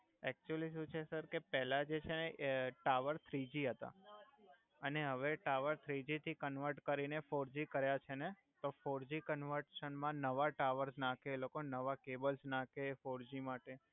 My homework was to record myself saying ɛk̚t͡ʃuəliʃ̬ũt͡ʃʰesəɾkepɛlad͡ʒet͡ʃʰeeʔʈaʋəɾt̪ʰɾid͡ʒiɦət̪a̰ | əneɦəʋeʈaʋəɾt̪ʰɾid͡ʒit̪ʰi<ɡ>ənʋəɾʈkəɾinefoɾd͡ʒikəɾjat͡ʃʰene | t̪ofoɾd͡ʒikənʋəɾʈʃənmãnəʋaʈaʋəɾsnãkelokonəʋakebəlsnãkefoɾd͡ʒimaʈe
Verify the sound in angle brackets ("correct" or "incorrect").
incorrect